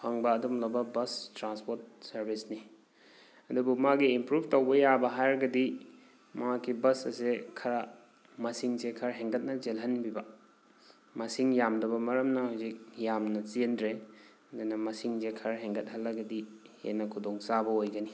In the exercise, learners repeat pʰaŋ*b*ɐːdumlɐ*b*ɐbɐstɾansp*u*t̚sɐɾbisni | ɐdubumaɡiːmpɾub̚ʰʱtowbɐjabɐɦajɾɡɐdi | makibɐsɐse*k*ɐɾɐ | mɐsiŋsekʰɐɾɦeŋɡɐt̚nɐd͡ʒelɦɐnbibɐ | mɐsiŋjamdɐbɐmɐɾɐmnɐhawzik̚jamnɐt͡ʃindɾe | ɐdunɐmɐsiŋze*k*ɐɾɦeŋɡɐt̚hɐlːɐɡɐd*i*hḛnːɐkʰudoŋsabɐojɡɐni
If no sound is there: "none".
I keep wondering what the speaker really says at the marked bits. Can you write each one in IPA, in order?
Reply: b, b, o, kʰ, kʰ, i

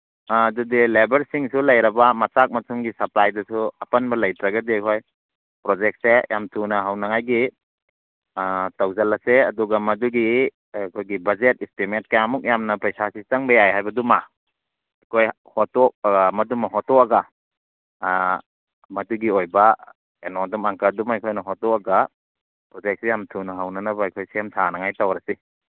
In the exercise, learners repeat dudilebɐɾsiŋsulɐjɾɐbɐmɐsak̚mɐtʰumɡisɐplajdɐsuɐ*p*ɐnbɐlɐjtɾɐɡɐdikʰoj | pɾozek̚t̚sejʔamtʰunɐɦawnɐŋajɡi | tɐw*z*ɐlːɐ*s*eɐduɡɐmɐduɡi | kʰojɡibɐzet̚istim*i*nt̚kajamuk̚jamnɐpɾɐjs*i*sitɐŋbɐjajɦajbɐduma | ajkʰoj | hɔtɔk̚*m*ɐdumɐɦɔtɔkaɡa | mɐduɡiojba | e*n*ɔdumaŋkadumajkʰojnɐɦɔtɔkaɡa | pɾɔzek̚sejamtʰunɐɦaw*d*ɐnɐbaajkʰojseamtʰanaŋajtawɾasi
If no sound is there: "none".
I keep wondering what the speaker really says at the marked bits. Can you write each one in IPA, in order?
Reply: p, z, s, e, a, m, n, n

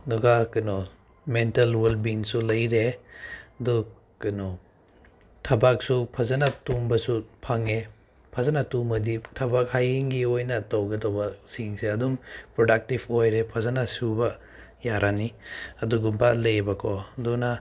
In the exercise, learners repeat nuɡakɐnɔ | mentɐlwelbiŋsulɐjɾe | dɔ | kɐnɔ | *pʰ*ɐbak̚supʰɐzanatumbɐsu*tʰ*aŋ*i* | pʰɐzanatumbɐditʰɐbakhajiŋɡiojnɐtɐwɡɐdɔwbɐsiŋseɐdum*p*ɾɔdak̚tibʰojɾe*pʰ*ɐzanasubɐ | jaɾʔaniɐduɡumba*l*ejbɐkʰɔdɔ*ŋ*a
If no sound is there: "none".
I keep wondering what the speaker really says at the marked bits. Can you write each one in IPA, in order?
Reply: tʰ, pʰ, e, p, pʰ, l, n

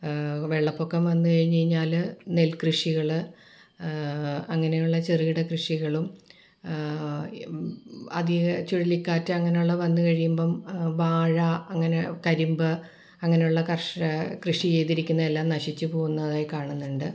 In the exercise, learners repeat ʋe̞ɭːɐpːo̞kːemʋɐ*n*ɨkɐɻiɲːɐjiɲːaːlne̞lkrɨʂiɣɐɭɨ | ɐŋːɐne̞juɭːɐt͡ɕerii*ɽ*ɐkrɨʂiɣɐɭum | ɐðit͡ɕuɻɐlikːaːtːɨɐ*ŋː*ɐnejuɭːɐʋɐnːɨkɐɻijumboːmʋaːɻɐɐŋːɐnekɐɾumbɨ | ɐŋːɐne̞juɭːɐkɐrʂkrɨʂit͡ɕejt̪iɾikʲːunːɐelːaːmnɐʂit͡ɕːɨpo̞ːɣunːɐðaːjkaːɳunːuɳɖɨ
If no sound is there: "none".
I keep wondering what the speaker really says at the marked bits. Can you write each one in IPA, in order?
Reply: nː, ɽ, ŋː

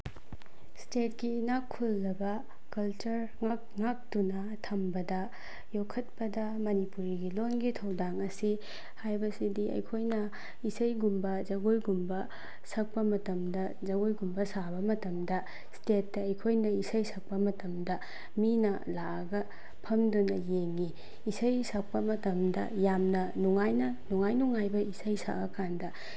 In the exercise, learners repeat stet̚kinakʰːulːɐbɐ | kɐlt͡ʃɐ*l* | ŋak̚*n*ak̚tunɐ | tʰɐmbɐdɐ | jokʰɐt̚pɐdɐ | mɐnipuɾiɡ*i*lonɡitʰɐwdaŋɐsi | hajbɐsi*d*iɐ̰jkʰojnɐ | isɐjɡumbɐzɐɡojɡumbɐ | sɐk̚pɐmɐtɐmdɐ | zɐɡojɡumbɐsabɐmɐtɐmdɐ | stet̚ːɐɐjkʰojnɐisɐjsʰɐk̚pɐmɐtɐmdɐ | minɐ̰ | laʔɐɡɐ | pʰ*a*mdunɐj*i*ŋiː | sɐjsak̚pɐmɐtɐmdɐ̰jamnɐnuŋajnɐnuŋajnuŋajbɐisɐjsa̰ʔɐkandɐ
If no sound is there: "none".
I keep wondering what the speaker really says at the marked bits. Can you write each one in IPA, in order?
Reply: ɾ, ŋ, i, d, ɐ, e

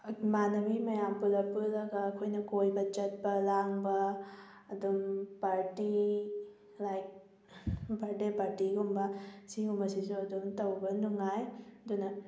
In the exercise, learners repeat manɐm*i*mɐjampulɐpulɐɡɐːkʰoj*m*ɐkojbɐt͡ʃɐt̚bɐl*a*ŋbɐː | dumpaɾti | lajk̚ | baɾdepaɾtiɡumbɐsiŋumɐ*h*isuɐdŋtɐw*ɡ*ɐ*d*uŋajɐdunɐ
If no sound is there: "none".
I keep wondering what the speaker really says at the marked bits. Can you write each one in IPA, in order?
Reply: i, n, a, s, b, n

